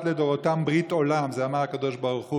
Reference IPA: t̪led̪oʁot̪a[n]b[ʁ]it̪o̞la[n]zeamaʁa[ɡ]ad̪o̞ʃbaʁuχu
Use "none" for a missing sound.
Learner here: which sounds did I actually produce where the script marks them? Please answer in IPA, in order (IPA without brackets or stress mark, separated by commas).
m, ʁ, m, k